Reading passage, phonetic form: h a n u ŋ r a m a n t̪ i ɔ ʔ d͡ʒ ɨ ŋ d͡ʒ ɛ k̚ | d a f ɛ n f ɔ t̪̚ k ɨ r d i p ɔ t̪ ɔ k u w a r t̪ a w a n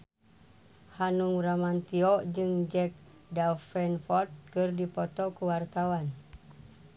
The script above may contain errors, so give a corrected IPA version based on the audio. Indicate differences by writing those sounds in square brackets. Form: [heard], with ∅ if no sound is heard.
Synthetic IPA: h a n u ŋ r a m a n t̪ i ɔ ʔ d͡ʒ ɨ ŋ d͡ʒ ɛ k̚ | d a f ɛ n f ɔ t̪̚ k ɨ r d i p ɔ t̪ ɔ k u w a r t̪ a w a n